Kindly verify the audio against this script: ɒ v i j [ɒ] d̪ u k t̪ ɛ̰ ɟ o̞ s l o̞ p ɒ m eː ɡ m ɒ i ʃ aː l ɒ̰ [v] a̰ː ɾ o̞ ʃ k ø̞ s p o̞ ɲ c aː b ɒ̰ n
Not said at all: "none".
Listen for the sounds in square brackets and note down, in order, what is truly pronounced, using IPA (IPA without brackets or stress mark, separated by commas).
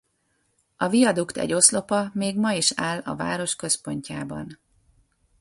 ɒ, v